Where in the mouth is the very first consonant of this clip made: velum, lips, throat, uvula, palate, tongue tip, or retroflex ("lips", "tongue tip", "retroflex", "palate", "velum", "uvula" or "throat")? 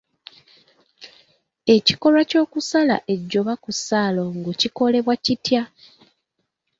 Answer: palate